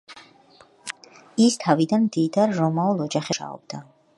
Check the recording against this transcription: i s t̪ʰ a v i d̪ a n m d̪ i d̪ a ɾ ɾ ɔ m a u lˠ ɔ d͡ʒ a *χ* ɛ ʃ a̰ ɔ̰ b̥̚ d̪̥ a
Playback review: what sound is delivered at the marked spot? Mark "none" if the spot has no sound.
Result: χ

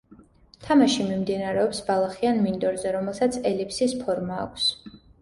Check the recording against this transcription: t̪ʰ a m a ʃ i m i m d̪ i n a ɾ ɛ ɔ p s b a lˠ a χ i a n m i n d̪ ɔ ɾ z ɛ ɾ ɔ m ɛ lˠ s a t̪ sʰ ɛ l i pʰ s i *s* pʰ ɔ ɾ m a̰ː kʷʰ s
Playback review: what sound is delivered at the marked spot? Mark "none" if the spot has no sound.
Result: s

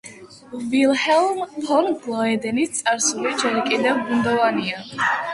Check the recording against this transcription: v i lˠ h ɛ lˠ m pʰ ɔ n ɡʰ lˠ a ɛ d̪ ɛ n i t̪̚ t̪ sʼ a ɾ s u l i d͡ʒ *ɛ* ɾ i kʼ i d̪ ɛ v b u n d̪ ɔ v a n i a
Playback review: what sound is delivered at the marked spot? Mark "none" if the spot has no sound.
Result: ɛ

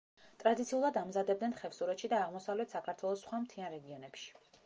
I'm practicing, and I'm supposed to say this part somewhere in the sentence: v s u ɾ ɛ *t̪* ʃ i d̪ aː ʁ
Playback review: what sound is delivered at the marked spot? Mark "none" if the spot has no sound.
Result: t̪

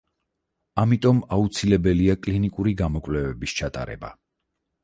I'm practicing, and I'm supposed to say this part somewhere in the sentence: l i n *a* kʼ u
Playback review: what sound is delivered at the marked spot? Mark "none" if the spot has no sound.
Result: i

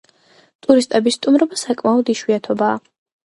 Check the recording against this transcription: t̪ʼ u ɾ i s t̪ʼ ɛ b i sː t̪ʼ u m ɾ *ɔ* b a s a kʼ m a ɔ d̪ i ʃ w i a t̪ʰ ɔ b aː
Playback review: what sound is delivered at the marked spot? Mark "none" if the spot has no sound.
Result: ɔ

